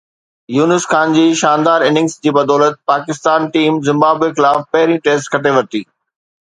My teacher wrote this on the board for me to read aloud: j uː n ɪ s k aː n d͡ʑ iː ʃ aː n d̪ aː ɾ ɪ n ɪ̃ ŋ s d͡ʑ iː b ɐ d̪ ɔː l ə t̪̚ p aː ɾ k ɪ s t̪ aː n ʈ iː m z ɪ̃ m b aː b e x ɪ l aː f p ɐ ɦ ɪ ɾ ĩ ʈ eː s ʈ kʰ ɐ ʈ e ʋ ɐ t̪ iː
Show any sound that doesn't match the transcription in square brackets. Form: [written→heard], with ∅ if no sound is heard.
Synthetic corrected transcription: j uː n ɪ s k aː n d͡ʑ iː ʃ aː n d̪ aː ɾ ɪ n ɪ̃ ŋ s d͡ʑ iː b ɐ d̪ ɔː l ə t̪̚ p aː [ɾ→∅] k ɪ s t̪ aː n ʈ iː m z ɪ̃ m b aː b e x ɪ l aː f p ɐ ɦ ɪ ɾ ĩ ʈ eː s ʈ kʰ ɐ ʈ e ʋ ɐ t̪ iː